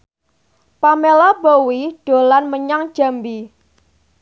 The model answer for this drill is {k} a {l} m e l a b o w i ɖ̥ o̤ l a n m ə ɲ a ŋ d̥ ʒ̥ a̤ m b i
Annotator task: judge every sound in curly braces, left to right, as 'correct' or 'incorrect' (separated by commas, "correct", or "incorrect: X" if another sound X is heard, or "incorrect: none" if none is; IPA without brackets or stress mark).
incorrect: p, incorrect: none